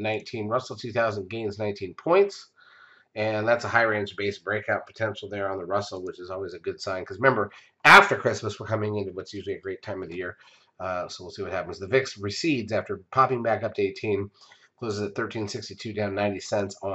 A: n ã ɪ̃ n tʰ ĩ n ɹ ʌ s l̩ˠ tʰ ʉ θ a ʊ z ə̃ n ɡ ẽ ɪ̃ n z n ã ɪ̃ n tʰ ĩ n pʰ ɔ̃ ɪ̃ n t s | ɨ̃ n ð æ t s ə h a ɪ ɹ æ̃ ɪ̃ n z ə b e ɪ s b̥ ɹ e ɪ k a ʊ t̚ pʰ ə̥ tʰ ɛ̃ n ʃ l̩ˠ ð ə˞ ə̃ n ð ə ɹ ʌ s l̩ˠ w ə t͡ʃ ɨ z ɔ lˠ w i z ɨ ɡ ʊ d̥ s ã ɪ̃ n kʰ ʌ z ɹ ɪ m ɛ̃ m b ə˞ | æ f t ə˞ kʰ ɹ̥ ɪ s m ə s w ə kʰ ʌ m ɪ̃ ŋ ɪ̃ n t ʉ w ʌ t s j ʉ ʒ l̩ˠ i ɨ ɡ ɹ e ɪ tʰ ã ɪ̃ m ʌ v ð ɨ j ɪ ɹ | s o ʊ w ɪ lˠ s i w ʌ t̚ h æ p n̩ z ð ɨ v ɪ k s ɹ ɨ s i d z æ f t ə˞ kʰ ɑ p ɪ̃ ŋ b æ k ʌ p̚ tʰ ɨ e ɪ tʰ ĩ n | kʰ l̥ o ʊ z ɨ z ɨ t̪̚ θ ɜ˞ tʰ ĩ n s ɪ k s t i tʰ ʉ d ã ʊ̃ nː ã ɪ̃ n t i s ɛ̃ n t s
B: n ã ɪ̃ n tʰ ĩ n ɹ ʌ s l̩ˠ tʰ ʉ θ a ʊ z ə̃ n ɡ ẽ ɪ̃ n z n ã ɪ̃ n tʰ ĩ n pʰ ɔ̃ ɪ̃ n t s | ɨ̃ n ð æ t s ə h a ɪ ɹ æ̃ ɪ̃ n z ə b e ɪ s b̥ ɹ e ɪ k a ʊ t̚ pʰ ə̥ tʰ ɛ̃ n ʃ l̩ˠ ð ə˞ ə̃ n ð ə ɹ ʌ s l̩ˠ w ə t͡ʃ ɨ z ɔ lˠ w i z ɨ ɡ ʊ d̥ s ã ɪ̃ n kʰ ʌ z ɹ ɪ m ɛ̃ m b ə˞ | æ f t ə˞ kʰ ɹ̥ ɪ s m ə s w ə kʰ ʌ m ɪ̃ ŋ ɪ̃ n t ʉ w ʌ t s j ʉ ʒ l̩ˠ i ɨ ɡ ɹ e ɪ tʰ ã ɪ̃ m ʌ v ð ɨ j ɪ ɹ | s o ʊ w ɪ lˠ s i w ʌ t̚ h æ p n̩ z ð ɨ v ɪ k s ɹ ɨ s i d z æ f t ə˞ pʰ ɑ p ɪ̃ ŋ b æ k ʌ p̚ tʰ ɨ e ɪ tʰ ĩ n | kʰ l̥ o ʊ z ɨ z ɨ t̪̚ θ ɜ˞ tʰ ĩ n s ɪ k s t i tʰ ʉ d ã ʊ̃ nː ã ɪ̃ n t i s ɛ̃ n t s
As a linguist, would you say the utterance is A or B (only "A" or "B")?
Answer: B